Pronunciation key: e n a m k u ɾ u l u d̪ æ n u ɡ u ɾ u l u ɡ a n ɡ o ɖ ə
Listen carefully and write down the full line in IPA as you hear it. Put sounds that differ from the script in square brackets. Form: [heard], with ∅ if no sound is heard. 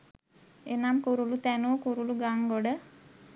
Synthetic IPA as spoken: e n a m k u ɾ u l u [t̪] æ n u [k] u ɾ u l u ɡ a [ŋ] ɡ o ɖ ə